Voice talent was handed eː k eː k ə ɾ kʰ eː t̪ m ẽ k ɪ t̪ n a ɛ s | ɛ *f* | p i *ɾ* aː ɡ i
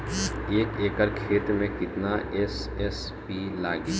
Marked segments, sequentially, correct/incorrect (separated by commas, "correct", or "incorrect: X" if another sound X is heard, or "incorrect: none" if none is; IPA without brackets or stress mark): incorrect: s, incorrect: l